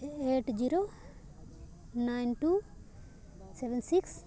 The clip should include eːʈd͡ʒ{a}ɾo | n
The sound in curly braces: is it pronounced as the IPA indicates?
no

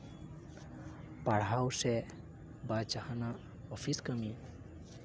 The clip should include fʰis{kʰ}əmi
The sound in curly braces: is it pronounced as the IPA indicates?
no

